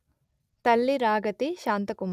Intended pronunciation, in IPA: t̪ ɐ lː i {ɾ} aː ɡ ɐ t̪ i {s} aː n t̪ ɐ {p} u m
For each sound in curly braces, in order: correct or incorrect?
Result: correct, incorrect, incorrect

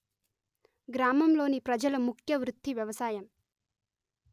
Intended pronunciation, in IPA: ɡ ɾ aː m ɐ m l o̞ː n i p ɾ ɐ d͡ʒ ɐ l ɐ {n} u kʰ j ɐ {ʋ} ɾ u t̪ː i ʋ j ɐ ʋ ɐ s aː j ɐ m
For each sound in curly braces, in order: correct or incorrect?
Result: incorrect, correct

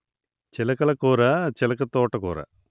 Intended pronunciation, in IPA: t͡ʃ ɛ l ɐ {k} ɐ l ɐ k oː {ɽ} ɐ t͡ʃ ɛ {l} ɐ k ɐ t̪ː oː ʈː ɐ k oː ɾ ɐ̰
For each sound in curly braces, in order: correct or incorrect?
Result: correct, incorrect, correct

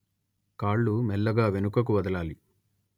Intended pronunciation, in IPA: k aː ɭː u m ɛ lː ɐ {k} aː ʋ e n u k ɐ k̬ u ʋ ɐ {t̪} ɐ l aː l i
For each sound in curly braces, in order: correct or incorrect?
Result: incorrect, incorrect

